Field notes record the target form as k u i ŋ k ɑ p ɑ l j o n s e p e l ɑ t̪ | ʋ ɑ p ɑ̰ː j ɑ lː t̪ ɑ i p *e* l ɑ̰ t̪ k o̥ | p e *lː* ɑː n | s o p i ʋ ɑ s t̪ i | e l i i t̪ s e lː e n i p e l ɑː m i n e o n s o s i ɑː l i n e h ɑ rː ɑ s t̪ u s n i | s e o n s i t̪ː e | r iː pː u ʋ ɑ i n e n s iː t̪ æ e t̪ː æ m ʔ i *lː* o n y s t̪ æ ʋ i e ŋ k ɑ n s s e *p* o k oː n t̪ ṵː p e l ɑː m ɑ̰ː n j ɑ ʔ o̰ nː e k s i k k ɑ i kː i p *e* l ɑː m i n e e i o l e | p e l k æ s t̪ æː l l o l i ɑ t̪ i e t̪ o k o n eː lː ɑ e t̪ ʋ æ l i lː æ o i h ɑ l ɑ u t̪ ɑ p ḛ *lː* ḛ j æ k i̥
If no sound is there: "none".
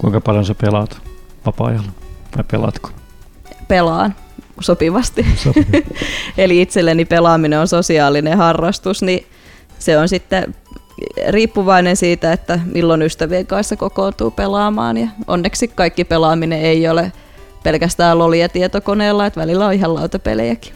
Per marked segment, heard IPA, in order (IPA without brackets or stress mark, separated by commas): e, l, lː, k, e, l